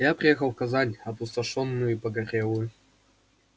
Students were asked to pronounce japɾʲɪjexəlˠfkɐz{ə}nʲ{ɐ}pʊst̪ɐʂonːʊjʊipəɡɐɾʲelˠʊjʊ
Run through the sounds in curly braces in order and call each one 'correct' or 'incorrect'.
incorrect: a, correct

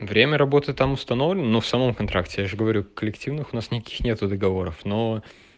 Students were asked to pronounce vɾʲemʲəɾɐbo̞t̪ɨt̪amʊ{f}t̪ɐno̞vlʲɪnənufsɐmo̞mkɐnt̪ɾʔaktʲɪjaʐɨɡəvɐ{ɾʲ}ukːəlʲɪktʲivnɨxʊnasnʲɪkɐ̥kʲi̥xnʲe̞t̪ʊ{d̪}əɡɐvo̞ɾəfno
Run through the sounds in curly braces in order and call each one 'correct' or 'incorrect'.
incorrect: s, correct, correct

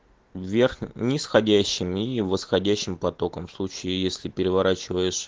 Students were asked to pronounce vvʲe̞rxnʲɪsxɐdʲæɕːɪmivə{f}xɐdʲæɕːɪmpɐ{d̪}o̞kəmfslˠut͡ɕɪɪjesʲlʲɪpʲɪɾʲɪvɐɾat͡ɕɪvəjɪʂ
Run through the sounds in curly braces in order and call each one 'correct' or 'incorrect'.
incorrect: s, incorrect: t̪

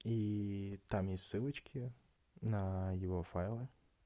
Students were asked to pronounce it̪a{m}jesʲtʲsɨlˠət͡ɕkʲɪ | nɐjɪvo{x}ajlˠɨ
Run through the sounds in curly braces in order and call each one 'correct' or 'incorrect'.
correct, incorrect: f

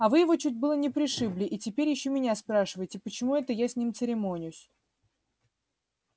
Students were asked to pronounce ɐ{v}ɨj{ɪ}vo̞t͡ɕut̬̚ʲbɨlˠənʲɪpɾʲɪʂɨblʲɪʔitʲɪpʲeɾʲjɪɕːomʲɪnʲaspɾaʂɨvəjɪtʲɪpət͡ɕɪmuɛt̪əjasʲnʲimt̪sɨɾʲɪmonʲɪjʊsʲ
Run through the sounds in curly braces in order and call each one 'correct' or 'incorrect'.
correct, correct

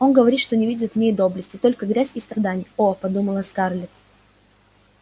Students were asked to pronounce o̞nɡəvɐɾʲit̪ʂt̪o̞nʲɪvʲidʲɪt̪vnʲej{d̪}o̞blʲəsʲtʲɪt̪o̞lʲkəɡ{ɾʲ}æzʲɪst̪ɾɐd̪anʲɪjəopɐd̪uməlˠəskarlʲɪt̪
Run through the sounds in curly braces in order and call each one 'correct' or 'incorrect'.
correct, correct

